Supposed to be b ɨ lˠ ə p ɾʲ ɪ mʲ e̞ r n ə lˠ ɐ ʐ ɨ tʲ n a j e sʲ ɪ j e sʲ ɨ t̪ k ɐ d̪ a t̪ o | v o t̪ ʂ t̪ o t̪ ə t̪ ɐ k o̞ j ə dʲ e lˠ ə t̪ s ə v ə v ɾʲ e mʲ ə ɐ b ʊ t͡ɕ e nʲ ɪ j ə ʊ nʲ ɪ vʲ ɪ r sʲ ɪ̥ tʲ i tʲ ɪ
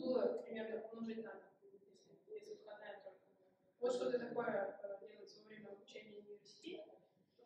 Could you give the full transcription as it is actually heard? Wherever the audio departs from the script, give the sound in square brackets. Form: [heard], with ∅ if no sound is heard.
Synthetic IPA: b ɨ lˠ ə p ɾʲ ɪ mʲ e̞ r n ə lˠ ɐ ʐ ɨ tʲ n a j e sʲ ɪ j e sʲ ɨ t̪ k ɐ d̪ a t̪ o | v o t̪ ʂ t̪ o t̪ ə t̪ ɐ k o̞ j ə dʲ e lˠ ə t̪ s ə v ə v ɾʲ e mʲ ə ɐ b ʊ t͡ɕ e nʲ ɪ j ə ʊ nʲ ɪ vʲ ɪ r sʲ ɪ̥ tʲ [e] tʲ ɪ